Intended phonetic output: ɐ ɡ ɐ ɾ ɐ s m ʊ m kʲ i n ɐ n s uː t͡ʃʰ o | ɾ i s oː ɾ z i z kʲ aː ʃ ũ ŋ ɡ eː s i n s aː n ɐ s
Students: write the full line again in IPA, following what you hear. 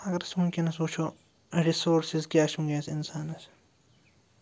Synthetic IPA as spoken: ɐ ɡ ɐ ɾ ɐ s m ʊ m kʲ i n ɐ s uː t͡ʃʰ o | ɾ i s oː ɾ s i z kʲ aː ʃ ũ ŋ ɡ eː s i n s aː n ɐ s